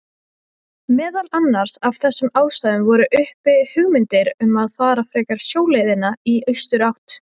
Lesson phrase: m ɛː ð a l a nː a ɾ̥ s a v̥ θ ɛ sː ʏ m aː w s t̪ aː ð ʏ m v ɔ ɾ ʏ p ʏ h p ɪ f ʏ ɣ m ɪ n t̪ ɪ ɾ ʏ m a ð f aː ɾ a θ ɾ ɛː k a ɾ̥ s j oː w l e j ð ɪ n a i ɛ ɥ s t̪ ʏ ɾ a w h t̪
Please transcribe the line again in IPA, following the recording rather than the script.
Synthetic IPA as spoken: m ɛː ð a l a nː a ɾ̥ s a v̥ θ ɛ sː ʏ m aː w s t̪ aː ð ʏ m v ɔ ɾ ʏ ʔ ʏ h p ɪ h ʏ ɣ m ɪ n t̪ ɪ ɾ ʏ m a ð f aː ɾ a f ɾ ɛː k a ɾ̥ s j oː w l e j ð ɪ n a i œ ɥ s t̪ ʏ ɾ a w h t̪